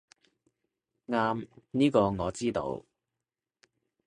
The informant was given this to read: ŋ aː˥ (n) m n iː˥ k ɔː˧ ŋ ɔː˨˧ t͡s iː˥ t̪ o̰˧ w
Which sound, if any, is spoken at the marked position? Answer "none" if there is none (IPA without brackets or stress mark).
none